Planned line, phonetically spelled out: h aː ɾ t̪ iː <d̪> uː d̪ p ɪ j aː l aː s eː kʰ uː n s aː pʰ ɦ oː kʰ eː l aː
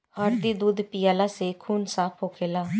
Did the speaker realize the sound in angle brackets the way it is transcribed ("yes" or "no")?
yes